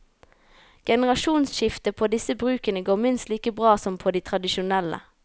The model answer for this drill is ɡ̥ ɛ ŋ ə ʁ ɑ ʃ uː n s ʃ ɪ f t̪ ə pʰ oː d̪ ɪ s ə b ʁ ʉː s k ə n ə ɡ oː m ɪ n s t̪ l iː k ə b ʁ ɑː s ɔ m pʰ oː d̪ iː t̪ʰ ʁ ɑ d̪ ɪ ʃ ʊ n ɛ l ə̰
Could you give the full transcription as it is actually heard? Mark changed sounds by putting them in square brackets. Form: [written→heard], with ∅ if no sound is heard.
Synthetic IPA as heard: ɡ̥ ɛ [ŋ→n] ə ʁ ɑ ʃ uː n s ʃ ɪ f t̪ ə pʰ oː d̪ ɪ s ə b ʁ ʉː [s→∅] k ə n ə ɡ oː m ɪ n s t̪ l iː k ə b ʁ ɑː s ɔ m pʰ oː d̪ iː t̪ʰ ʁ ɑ d̪ ɪ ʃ ʊ n ɛ l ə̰